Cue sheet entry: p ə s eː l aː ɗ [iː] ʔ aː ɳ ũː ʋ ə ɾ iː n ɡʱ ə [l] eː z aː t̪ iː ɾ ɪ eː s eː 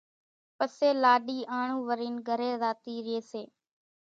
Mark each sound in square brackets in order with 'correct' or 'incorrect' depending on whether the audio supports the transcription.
correct, incorrect

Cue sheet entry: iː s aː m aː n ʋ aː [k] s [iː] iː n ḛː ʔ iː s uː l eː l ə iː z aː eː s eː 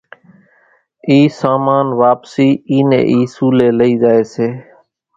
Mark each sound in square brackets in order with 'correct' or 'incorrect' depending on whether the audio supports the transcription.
incorrect, correct

